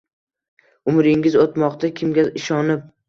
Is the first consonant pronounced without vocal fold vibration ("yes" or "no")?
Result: no